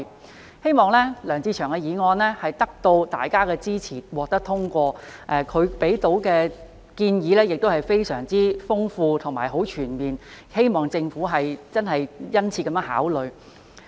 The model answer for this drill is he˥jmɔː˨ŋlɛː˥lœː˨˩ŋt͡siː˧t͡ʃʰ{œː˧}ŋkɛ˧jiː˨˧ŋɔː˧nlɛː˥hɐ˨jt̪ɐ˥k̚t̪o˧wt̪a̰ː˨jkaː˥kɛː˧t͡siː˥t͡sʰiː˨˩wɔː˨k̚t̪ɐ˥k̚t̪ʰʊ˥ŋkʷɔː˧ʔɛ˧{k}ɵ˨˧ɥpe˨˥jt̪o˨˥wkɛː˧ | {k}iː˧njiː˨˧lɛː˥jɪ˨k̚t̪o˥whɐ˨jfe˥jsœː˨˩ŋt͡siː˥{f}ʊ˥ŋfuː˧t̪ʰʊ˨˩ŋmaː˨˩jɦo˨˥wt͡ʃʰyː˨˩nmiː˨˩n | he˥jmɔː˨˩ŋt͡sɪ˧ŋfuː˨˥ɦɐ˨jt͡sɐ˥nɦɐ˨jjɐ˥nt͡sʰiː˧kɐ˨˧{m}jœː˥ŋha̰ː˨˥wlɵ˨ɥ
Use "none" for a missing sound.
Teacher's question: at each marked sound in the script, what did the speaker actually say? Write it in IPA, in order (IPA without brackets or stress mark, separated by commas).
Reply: œː˨˩, kʰ, k, f, m